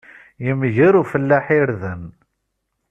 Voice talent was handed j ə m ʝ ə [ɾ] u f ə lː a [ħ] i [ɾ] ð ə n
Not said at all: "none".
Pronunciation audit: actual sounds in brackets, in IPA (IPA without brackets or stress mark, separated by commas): ɾ, ħ, ɾ